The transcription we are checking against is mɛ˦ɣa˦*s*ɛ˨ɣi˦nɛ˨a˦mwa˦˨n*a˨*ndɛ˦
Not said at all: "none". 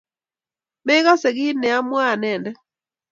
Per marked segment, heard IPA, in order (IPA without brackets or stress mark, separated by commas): s, ɛ˨